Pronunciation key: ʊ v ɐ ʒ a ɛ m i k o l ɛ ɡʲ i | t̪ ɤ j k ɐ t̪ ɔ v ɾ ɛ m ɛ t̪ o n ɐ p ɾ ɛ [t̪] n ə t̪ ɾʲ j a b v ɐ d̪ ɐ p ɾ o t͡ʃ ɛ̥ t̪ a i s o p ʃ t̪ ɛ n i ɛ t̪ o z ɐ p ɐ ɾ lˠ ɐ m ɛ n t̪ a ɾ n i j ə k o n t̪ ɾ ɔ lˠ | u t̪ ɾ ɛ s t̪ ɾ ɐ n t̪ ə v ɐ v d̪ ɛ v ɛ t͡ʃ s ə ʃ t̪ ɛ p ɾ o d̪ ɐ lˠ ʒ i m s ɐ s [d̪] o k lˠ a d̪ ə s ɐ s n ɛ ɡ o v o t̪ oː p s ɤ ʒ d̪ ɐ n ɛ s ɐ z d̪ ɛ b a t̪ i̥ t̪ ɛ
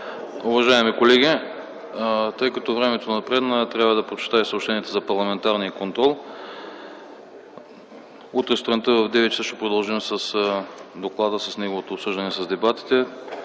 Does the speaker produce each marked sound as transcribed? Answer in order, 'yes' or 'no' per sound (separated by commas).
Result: no, yes